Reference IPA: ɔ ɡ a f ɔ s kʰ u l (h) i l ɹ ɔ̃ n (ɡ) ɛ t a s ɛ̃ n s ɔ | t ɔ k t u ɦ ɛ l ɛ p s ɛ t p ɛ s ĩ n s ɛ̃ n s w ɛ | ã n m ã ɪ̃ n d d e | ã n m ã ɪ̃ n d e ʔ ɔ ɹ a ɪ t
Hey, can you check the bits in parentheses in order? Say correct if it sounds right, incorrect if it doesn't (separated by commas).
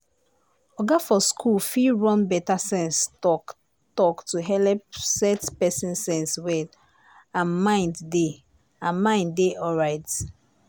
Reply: incorrect, incorrect